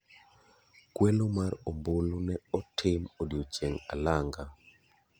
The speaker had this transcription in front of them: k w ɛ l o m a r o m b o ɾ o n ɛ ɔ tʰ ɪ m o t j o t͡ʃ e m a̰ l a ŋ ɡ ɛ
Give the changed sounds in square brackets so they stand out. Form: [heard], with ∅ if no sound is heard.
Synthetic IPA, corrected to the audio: k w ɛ l o m a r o m b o [l] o n ɛ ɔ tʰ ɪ m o [d] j o t͡ʃ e [ŋ] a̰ l a ŋ ɡ [a]